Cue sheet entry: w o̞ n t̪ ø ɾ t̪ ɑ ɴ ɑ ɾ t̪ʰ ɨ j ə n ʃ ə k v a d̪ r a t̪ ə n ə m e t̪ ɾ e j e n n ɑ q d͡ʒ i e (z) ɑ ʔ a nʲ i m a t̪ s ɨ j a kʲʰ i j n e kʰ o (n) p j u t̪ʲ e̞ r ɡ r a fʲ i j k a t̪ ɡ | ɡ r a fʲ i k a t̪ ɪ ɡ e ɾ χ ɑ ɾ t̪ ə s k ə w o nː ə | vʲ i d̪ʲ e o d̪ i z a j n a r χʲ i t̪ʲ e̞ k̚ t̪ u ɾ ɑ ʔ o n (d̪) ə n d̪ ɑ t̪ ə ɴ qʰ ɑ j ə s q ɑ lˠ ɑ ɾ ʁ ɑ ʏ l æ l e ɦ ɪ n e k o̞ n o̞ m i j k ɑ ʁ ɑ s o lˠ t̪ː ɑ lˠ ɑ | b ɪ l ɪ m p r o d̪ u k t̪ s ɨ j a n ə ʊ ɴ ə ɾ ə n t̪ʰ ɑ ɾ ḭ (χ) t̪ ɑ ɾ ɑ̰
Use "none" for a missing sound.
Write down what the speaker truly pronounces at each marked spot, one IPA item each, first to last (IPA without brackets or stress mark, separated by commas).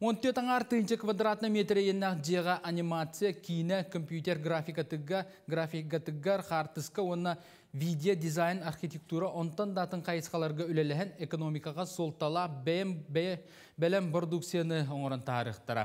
ʁ, m, t̪, χ